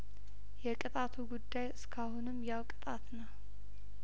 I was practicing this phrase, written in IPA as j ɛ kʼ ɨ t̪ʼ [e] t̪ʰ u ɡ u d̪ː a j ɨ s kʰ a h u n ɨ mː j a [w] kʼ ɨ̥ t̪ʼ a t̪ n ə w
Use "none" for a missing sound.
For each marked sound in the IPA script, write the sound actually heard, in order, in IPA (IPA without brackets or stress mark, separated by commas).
a, w